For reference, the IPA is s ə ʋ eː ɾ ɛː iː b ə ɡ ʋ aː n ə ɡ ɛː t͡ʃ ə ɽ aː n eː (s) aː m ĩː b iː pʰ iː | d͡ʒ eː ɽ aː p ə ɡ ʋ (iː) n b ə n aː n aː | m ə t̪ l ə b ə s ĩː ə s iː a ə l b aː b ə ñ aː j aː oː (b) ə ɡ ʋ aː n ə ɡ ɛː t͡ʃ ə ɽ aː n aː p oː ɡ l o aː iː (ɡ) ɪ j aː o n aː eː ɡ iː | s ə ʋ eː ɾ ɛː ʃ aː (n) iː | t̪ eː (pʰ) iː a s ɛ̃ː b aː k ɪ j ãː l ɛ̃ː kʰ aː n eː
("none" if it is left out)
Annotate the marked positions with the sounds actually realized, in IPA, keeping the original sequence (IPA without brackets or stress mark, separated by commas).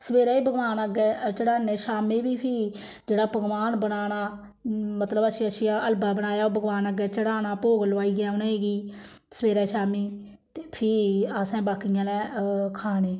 ʃ, aː, b, ɡ, m, pʰ